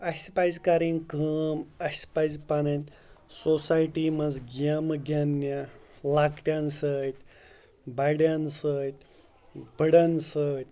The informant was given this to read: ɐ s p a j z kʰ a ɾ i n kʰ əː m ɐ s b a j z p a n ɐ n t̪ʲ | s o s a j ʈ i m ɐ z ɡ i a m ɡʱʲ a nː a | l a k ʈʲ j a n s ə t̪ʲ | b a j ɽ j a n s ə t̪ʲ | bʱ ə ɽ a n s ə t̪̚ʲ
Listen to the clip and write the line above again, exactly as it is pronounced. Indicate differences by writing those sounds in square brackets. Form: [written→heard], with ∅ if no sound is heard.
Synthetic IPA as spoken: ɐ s p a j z [kʰ→k] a ɾ i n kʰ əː m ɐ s [b→p] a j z p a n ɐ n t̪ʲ | s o s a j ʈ i m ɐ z ɡ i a m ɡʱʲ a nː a | l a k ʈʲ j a n s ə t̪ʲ | b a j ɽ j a n s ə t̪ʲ | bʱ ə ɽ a n s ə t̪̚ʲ